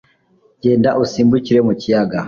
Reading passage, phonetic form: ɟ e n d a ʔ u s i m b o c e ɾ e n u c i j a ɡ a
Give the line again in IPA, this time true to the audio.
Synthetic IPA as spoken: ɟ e n d a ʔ u s i m b u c i ɾ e m u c i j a ɡ a